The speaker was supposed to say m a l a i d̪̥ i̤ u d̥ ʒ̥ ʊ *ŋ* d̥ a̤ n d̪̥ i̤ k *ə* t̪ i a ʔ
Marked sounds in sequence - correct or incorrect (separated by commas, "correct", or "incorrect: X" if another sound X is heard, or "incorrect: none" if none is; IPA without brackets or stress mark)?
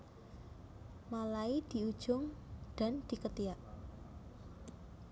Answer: correct, correct